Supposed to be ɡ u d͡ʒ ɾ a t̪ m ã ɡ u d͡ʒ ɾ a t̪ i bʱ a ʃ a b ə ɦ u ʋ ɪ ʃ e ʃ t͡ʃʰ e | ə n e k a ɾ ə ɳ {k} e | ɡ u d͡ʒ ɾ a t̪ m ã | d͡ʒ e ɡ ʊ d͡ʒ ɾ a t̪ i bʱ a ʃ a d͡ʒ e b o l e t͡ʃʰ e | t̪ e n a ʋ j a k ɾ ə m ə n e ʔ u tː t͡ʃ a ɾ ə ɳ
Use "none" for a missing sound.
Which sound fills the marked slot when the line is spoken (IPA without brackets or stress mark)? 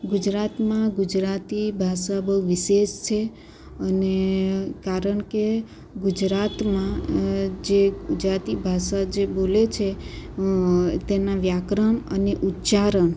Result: k